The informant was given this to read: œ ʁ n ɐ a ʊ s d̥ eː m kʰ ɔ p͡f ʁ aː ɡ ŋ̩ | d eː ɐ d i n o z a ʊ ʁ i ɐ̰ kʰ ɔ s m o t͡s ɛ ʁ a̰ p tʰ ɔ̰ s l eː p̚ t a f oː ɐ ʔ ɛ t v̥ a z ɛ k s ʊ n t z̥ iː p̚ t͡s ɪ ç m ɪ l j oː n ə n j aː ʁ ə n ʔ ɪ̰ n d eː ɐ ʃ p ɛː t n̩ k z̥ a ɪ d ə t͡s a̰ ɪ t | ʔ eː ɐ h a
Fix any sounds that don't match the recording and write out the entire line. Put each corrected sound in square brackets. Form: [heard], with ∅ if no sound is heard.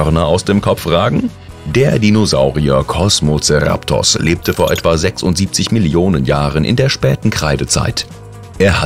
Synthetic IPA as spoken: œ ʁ n ɐ a ʊ s d̥ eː m kʰ ɔ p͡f ʁ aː ɡ ŋ̩ | d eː ɐ d i n o z a ʊ ʁ i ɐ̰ kʰ ɔ s m o t͡s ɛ ʁ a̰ p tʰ ɔ̰ s l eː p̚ t [ə] f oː ɐ ʔ ɛ t v̥ a z ɛ k s ʊ n t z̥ iː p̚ t͡s ɪ ç m ɪ l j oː n ə n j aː ʁ ə n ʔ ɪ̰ n d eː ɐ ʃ p ɛː t n̩ k [ʁ̥] a ɪ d ə t͡s a̰ ɪ t | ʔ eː ɐ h a